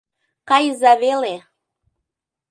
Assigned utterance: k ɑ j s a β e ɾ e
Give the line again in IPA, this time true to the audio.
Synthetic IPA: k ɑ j z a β e l e

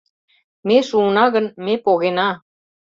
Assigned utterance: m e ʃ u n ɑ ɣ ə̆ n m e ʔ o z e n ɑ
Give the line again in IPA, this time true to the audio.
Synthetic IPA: m e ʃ u n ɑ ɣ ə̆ n m e p o ɣ e n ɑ

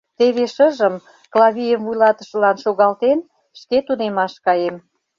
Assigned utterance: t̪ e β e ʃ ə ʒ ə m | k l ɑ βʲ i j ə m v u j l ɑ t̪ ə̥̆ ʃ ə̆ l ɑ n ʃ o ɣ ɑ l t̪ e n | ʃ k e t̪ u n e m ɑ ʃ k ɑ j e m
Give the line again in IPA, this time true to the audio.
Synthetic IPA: t̪ e β e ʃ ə ʒ ə m | k l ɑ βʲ i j ə m v u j l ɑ t̪ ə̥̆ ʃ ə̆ l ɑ n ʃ o ɣ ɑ l t̪ e n | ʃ k e t̪ u n e m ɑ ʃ k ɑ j e m

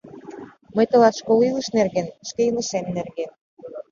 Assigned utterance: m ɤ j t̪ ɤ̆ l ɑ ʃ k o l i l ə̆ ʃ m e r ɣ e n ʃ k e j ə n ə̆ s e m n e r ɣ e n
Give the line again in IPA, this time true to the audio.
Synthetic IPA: m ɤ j t̪ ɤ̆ l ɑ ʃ k o l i l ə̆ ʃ n e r ɣ e n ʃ k e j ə n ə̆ ʃ e m n e r ɣ e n

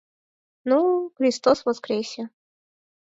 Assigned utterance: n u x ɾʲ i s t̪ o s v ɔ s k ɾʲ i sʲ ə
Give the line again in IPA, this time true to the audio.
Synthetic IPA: n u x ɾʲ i s t̪ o s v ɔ s k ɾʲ e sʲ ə

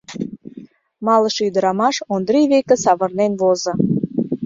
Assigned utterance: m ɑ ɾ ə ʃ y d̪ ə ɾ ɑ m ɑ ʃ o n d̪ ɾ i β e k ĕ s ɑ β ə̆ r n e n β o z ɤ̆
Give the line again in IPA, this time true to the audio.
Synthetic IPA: m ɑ l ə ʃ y d̪ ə ɾ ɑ m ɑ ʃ o n d̪ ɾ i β e k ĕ s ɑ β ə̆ r n e n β o z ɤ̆

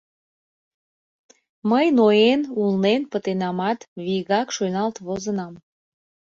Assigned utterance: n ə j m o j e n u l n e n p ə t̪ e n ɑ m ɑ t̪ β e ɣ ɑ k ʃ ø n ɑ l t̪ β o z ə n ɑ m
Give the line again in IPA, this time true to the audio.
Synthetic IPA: m ə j n o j e n u l n e n p ə t̪ e n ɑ m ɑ t̪ β i ɣ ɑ k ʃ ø n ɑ l t̪ β o z ə n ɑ m

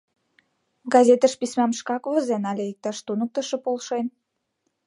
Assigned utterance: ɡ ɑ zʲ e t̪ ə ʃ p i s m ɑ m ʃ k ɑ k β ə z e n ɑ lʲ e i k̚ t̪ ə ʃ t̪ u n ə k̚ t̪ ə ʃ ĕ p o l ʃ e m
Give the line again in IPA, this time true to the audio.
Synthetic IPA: ɡ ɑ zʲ e t̪ ə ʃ p i s m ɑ m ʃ k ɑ k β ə z e n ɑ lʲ e i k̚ t̪ ɑ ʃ t̪ u n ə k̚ t̪ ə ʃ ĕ p o l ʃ e n

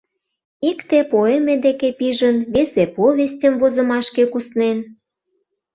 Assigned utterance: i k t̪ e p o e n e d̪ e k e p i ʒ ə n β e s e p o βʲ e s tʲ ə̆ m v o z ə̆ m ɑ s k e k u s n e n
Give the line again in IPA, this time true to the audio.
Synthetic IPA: i k t̪ e p o e m e d̪ e k e p i ʒ ə n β e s e p o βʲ e s tʲ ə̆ m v o z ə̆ m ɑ ʃ k e k u s n e n

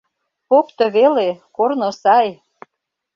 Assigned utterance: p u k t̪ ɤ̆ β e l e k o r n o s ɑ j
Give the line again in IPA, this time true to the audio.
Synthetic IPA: p o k t̪ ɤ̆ β e l e k o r n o s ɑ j

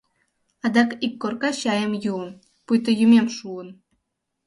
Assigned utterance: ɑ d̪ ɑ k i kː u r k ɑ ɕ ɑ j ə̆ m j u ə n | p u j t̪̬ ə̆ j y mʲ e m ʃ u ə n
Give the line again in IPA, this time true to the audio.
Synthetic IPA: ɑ d̪ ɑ k i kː o r k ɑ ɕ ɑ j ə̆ m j u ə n | p u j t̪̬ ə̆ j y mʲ e m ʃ u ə n

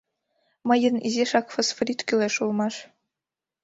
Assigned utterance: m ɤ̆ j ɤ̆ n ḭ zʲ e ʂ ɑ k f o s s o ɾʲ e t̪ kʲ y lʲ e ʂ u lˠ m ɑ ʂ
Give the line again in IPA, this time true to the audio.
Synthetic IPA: m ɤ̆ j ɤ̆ n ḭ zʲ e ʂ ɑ k f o s f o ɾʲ i t̪ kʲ y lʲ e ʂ u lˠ m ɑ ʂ

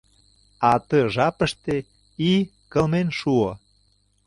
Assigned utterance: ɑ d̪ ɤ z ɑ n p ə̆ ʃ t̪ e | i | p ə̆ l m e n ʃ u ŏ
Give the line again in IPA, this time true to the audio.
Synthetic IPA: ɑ t̪ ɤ ʒ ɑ p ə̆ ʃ t̪ e | i | k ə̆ l m e n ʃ u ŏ

